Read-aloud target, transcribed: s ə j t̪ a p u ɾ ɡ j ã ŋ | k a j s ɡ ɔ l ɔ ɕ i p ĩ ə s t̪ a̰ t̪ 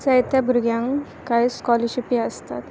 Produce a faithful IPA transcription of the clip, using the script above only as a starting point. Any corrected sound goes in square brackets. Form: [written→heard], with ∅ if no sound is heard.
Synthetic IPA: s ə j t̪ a [p→b] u ɾ ɡ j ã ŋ | k a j s [ɡ→k] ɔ l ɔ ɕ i p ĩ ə s t̪ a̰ t̪

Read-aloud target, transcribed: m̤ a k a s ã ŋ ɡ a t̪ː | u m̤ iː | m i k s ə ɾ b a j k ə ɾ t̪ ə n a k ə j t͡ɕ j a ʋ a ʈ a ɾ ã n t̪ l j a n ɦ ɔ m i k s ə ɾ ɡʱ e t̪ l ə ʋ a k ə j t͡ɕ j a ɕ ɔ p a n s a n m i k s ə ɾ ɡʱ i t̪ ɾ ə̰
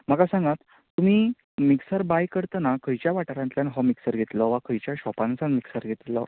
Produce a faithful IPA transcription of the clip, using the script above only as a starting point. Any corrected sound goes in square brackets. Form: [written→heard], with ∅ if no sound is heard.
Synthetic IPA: m̤ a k a s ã ŋ ɡ a t̪ː | u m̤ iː | m i k s ə ɾ b a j k ə ɾ t̪ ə n a k ə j t͡ɕ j a ʋ a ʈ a ɾ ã n t̪ l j a n ɦ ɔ m i k s ə ɾ ɡʱ e t̪ l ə ʋ a k ə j t͡ɕ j a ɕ ɔ p a n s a n m i k s ə ɾ ɡʱ [i→e] t̪ [ɾ→l] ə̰

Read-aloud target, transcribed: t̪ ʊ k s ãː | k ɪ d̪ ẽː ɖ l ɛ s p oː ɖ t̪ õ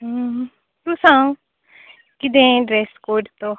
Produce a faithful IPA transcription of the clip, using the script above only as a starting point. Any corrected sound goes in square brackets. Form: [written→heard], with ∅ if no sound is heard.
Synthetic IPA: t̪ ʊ [k→∅] s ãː | k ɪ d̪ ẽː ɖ [l→ɾ] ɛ s [p→k] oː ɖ t̪ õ

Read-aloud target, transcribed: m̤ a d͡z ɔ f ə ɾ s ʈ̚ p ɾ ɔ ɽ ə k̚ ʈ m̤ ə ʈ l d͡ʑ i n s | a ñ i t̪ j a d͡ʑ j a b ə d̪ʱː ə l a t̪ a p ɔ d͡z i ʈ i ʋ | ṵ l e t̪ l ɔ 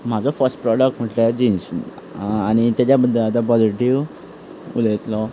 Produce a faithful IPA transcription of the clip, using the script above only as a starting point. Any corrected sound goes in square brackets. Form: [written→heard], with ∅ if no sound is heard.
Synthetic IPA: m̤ a d͡z ɔ f ə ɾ s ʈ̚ p ɾ ɔ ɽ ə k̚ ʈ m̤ ə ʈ l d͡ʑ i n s | a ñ i t̪ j a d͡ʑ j a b ə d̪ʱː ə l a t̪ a p ɔ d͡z i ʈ i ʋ | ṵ l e t̪ l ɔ

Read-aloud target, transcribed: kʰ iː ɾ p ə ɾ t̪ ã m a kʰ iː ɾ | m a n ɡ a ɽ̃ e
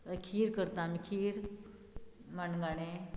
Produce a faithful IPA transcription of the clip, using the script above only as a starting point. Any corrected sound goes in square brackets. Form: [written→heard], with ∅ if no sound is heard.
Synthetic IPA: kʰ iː ɾ [p→k] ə ɾ t̪ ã m [a→i] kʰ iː ɾ | m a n ɡ a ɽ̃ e

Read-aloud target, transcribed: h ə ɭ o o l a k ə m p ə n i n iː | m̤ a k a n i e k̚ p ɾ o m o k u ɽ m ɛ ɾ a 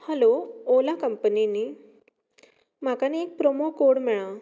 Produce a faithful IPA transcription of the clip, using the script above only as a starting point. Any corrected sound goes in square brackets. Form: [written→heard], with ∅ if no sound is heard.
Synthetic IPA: h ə [ɭ→l] o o l a k ə m p ə n i n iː | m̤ a k a n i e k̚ p ɾ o m o k [u→o] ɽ m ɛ [ɾ→ɭ] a

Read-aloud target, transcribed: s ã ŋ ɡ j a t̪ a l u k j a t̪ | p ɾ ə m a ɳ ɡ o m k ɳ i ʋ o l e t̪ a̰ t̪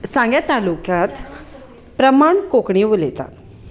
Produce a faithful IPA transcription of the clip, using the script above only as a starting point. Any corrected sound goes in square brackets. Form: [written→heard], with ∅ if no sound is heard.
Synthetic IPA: s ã ŋ ɡ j a t̪ a l u k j a t̪ | p ɾ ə m a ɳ [ɡ→k] o [m→∅] k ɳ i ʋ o l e t̪ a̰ t̪

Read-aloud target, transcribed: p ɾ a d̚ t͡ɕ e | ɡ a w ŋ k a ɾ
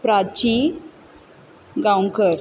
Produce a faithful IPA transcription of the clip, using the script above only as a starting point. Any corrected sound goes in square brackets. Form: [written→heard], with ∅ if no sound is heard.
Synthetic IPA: p ɾ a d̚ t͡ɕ [e→i] | ɡ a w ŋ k [a→ə] ɾ

